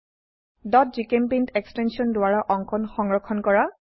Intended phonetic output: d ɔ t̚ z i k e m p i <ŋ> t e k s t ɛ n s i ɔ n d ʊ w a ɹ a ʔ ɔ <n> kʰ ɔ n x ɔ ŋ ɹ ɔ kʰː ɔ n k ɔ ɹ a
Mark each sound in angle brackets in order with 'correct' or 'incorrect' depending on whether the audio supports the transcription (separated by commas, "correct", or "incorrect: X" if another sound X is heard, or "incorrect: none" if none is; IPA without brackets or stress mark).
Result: incorrect: n, incorrect: ŋ